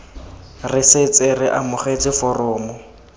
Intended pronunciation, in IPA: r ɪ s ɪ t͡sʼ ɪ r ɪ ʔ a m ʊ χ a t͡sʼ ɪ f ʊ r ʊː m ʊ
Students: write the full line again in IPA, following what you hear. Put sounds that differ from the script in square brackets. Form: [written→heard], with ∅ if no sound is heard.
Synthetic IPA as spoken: r ɪ s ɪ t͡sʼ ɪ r ɪ ʔ a m ʊ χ [a→e] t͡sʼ ɪ f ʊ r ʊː m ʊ